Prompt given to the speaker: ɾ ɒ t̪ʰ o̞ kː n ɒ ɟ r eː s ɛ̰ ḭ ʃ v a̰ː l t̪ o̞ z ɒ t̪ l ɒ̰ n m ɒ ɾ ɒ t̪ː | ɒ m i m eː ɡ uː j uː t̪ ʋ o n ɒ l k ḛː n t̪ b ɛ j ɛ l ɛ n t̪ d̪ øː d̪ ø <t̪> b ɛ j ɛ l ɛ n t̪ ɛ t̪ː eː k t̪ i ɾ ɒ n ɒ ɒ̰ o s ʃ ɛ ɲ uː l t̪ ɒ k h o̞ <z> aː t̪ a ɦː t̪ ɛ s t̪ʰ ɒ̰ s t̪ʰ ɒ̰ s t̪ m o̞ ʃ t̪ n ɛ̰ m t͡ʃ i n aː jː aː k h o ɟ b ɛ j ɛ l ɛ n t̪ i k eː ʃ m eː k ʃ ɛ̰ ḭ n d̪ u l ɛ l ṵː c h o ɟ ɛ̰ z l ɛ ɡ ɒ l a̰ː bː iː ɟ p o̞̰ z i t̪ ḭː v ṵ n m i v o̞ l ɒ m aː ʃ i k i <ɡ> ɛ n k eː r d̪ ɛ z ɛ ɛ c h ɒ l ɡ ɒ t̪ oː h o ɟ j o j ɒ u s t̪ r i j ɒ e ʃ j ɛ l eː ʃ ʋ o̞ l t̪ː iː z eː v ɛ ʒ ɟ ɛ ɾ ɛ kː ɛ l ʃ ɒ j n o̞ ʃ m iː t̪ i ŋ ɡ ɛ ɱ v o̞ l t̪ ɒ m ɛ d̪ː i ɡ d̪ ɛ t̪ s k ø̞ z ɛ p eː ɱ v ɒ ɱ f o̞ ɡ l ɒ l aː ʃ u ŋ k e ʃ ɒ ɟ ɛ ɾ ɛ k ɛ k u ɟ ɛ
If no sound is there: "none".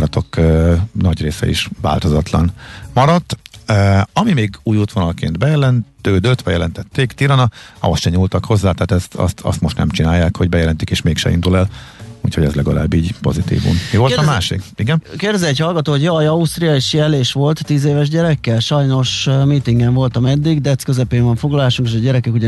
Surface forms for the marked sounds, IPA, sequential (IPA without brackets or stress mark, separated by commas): t̪, zː, ɡ